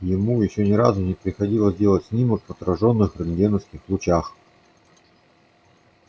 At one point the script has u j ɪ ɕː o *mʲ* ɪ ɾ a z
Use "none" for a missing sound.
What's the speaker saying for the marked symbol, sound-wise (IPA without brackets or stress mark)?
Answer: nʲ